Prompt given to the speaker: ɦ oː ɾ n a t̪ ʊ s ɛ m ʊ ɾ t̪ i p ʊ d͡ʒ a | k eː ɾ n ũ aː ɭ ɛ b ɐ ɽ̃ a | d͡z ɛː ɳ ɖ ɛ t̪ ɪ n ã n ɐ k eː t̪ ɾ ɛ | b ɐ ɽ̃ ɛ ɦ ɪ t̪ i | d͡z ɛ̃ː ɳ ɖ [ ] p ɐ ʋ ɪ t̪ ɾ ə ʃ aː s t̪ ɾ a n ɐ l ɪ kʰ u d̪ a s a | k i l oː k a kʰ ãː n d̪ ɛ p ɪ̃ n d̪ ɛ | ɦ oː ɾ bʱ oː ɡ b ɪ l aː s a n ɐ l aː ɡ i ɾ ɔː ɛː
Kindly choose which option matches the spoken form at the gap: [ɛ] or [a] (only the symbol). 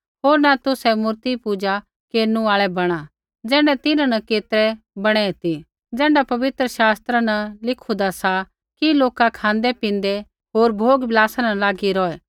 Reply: a